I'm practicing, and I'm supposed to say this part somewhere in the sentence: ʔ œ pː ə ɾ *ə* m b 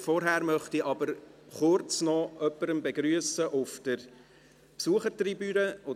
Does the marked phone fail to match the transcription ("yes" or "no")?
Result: no